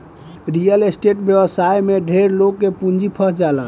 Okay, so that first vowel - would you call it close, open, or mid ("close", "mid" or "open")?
close